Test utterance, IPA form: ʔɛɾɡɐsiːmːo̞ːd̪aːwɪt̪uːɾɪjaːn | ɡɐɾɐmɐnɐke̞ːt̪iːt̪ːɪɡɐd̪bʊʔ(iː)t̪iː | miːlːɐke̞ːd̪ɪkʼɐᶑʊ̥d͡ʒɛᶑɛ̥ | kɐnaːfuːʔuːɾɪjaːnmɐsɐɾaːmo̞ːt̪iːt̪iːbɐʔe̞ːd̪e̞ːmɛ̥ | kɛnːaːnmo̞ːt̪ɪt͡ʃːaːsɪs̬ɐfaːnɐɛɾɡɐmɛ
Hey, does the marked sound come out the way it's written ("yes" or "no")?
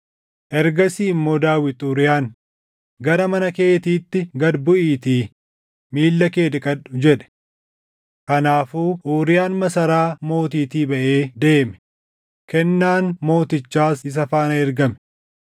yes